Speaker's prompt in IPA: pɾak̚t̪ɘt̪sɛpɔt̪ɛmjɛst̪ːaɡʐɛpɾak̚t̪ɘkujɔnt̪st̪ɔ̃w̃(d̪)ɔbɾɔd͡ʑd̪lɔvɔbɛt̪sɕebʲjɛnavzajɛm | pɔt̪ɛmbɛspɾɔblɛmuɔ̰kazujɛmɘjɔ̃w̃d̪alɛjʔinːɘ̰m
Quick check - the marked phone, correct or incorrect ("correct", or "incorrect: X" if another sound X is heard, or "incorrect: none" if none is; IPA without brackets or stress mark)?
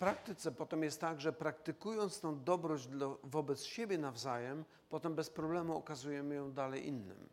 correct